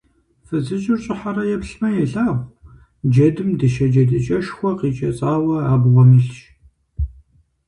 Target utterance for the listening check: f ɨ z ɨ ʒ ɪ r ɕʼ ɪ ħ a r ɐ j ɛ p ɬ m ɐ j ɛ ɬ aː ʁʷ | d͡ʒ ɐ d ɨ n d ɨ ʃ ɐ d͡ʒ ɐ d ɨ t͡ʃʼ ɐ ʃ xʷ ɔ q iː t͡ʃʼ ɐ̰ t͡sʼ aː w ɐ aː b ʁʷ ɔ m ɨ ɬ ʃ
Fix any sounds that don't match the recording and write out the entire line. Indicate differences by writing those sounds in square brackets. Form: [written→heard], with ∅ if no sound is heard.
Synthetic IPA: f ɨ z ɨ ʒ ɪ r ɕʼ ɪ ħ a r ɐ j ɛ p ɬ m ɐ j ɛ ɬ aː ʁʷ | d͡ʒ ɐ d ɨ [n→m] d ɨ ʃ ɐ d͡ʒ ɐ d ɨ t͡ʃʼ ɐ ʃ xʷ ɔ q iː t͡ʃʼ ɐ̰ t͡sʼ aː w ɐ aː b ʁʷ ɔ m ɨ ɬ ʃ